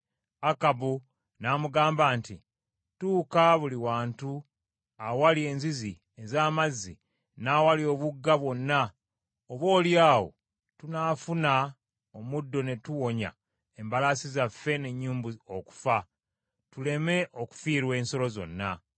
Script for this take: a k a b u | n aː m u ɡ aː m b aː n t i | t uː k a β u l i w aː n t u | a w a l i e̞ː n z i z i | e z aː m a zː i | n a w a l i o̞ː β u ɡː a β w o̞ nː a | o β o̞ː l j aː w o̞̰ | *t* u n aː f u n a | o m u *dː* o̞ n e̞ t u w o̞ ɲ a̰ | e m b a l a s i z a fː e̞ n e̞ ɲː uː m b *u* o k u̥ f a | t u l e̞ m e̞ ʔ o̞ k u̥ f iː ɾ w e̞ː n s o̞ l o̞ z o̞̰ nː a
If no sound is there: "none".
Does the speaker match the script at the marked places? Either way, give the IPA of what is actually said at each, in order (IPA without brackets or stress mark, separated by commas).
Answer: t, dː, u